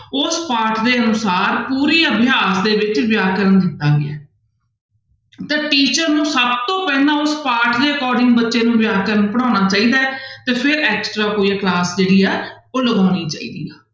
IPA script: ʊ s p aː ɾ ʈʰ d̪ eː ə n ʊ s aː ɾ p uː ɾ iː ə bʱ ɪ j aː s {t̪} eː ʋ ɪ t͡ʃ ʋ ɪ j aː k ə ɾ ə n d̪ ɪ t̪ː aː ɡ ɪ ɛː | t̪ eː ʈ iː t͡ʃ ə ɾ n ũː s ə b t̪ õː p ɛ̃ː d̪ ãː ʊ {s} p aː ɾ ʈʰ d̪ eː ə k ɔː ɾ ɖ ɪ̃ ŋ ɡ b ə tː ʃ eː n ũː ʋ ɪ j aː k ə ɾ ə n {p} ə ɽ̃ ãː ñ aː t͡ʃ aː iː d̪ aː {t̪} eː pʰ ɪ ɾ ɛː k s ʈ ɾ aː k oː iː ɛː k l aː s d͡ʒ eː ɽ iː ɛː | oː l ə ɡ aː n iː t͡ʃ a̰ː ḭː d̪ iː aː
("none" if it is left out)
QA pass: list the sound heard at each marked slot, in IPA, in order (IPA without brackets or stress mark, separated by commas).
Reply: d̪, s, p, t̪